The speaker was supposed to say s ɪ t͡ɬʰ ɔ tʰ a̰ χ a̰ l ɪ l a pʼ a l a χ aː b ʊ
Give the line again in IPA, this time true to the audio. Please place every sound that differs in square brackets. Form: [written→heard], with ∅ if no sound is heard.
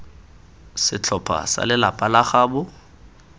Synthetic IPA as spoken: s ɪ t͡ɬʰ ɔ [tʰ→pʰ] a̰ [χ→s] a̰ l ɪ l a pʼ a l a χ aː b ʊ